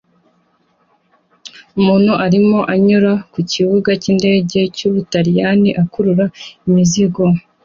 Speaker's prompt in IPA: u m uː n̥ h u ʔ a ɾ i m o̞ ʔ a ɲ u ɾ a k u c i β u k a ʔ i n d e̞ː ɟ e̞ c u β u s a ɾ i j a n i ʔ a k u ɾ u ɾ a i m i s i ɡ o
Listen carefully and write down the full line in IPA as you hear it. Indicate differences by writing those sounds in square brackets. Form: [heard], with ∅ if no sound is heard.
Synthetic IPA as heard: u m uː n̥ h u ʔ a ɾ i m o̞ ʔ a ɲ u ɾ a k u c i β u [ɡ] a [c] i n d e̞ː ɟ e̞ c u β u [t] a ɾ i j a n i ʔ a k u ɾ u ɾ a i m i [z] i ɡ o